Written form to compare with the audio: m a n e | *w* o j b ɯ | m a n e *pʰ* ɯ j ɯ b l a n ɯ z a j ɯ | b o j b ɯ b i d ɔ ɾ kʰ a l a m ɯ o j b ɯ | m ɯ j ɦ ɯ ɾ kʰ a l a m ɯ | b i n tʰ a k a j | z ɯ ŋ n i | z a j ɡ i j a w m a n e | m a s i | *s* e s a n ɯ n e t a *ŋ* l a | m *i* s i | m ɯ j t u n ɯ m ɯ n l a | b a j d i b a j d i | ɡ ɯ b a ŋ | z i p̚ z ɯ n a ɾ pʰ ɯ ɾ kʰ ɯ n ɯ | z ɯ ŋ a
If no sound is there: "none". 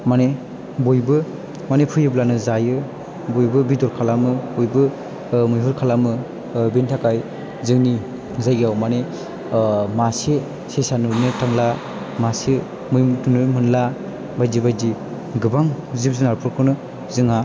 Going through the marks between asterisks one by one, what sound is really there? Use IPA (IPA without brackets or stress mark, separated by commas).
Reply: b, pʰ, s, ŋ, a